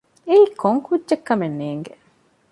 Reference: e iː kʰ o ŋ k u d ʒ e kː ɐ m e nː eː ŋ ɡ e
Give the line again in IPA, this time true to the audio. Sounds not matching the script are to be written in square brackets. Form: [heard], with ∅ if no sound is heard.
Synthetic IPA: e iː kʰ o ŋ k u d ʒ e kː ɐ m e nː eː ŋ ɡ e